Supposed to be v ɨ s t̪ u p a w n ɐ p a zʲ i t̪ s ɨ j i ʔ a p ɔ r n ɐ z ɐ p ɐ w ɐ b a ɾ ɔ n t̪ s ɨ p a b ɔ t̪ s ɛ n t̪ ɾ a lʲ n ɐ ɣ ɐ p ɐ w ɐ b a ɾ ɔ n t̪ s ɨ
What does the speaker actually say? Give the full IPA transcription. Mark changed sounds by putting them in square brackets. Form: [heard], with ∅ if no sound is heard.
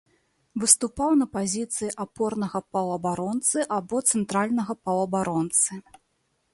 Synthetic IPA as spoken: v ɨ s t̪ u p a w n ɐ p a zʲ i t̪ s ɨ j i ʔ a p ɔ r n ɐ [ɣ] ɐ p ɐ w ɐ b a ɾ ɔ n t̪ s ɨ [ʔ] a b ɔ t̪ s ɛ n t̪ ɾ a lʲ n ɐ ɣ ɐ p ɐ w ɐ b a ɾ ɔ n t̪ s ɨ